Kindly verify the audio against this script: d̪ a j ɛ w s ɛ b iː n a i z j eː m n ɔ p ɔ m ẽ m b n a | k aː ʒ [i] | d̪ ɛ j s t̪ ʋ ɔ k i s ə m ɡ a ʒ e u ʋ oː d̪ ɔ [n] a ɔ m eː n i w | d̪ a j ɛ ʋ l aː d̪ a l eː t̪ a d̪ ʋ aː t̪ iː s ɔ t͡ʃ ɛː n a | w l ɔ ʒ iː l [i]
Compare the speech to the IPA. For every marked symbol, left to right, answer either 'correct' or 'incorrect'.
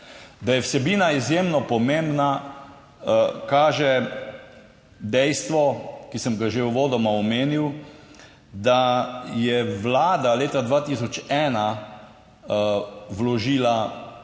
incorrect, incorrect, incorrect

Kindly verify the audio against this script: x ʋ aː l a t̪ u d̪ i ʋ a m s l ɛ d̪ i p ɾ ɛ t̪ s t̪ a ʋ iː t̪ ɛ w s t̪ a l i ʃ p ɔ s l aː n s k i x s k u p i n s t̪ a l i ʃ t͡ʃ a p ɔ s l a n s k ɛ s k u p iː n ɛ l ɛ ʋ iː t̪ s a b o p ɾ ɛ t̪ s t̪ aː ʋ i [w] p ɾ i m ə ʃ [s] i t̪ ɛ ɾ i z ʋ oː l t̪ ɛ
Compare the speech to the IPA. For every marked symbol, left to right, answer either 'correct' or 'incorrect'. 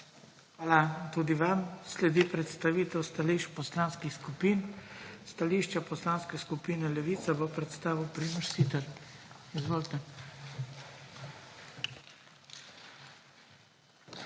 correct, correct

